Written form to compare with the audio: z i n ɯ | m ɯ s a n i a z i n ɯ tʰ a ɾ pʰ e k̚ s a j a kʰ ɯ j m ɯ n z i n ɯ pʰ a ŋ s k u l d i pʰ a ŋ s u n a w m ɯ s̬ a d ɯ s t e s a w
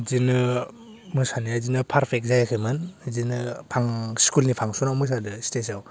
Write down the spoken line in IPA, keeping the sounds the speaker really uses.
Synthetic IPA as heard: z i n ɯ | m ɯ s a n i a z i n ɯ pʰ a ɾ pʰ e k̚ z a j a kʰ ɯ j m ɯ n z i n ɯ pʰ a ŋ s k u l n i pʰ a ŋ s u n a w m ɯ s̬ a d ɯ s t e s a w